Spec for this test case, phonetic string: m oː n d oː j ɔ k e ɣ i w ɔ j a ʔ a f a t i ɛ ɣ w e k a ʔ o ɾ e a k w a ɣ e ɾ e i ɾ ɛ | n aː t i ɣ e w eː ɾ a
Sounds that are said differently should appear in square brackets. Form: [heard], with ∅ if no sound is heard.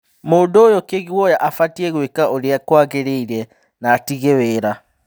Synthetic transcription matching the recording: m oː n d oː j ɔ k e ɣ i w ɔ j a ʔ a f a t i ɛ ɣ w e k a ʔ o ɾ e a k w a ɣ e ɾ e i ɾ ɛ | n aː t i ɣ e w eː ɾ a